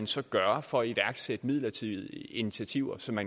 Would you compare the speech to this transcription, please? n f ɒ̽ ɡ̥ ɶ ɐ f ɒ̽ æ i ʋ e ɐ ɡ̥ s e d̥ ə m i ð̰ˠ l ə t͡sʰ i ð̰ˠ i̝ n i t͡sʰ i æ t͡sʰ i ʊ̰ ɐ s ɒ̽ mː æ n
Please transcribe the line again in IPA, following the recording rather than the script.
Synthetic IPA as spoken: n s ɒ̽ ɡ̥ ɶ ɐ f ɒ̽ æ i ʋ æ ɐ ɡ̥ s e d̥ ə m i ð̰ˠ l ɐ t͡sʰ i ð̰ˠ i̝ n i t͡sʰ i æ t͡sʰ i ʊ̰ ɐ s ɒ̽ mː æ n